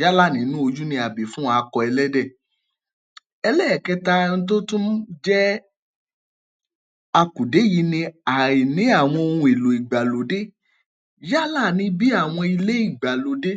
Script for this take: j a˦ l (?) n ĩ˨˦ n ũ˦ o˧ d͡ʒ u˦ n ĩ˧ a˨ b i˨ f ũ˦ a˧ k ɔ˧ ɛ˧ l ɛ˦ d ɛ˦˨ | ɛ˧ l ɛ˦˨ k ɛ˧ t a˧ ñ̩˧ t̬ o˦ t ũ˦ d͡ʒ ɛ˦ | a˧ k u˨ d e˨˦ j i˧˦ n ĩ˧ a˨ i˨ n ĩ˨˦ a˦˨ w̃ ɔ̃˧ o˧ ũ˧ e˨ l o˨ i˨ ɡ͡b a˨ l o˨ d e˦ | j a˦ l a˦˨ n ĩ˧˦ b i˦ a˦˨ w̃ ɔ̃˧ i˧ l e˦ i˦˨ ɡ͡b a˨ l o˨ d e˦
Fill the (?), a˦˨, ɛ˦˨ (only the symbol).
a˦˨